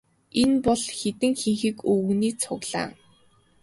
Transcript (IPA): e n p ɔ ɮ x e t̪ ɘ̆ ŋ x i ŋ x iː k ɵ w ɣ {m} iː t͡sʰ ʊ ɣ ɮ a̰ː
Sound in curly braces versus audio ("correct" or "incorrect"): incorrect